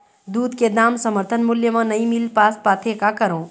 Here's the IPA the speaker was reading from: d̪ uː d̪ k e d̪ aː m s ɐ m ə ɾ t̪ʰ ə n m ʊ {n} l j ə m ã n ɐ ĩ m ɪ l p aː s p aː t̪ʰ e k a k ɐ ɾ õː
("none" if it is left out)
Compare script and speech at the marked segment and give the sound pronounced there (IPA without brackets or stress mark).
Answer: none